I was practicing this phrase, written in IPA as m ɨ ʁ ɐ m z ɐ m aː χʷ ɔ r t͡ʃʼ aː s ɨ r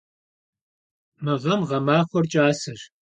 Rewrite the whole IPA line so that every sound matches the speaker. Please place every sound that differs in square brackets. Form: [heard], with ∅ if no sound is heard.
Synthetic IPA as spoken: m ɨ ʁ ɐ m [ʁ] ɐ m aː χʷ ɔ r t͡ʃʼ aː s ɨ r